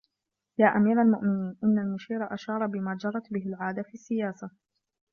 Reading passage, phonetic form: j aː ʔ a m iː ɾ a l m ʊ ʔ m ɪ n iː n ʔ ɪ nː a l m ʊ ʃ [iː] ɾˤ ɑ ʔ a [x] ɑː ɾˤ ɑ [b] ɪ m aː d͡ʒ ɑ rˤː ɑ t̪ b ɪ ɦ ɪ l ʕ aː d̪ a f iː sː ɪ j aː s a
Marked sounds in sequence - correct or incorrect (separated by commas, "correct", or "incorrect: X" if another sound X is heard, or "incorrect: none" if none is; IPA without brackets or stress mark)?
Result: correct, incorrect: ʃ, correct